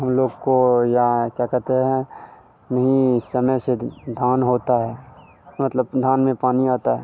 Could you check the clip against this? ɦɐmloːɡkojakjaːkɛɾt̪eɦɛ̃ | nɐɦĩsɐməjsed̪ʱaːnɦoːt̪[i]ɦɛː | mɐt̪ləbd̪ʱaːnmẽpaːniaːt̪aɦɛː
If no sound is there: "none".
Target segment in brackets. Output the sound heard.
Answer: a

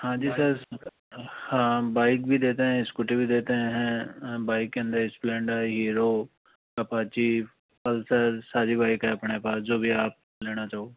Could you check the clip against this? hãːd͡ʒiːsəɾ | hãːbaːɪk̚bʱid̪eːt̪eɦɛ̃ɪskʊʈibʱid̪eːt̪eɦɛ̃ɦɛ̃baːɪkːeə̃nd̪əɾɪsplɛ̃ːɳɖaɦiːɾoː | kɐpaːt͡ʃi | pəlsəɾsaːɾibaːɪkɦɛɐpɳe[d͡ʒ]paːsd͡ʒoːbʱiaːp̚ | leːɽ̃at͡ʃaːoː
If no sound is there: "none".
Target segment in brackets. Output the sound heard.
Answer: none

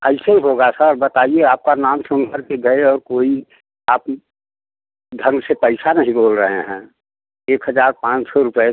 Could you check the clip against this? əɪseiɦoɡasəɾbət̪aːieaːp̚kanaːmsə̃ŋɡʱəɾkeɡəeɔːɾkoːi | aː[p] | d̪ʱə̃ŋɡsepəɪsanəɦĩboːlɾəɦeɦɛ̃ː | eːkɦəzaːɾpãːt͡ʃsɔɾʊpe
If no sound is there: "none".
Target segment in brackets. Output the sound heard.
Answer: p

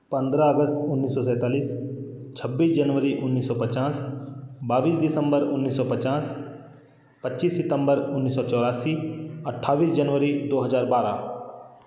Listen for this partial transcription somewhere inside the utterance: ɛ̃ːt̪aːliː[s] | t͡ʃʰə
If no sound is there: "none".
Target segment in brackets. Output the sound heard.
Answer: s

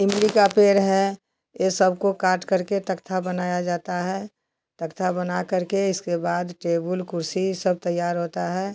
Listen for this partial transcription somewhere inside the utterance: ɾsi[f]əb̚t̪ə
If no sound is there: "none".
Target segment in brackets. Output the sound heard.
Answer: s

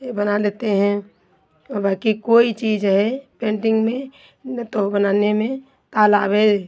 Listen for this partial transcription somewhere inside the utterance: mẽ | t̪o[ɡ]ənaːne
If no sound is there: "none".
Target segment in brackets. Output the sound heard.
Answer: b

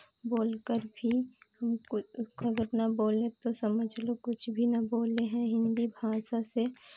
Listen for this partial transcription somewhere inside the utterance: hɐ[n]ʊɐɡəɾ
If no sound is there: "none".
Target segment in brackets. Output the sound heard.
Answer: m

